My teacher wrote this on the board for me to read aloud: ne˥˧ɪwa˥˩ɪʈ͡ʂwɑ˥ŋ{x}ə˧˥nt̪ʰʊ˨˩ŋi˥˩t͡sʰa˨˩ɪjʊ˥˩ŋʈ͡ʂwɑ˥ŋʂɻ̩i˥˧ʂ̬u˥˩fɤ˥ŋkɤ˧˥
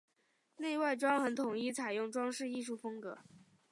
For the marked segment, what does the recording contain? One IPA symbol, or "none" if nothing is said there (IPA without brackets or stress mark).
x